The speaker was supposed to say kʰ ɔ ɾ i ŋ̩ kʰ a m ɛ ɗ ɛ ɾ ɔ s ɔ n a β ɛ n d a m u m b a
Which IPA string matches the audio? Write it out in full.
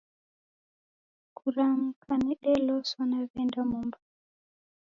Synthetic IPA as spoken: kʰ u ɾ a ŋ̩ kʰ a n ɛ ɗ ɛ l ɔ s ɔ n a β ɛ n d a m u m b a